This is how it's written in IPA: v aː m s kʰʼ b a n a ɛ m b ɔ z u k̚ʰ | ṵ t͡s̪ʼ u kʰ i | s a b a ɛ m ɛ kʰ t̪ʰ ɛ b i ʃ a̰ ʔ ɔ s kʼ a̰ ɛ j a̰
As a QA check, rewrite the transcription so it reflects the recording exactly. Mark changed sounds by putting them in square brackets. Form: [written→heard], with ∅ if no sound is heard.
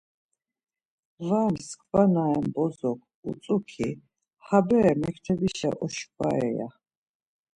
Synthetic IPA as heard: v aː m s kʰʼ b a n a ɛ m b ɔ z [u→ɔ] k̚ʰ | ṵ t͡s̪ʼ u kʰ i | [s→h] a b [a→ɛ] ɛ m ɛ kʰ t̪ʰ ɛ b i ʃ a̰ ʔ ɔ [s→ʃ] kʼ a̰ ɛ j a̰